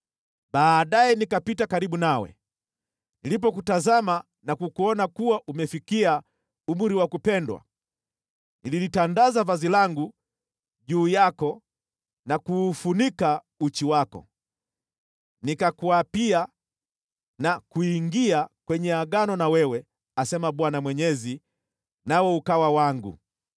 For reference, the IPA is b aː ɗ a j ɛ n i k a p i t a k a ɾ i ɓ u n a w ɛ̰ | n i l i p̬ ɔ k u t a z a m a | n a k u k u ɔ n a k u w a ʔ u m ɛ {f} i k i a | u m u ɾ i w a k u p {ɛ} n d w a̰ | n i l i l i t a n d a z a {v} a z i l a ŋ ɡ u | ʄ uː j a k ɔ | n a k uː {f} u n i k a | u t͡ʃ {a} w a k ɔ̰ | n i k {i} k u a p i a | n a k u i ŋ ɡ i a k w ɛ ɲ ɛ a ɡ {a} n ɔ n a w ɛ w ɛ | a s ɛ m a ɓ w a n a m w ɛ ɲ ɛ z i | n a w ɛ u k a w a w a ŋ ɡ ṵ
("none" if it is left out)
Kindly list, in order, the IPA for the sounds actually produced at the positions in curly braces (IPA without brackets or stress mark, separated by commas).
f, ɛ, v, f, i, a, a